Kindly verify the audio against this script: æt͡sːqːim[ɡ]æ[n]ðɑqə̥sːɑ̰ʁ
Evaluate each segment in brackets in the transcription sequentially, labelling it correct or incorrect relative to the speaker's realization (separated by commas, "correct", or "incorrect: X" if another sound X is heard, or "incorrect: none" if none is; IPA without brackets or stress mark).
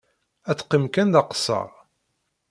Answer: incorrect: k, correct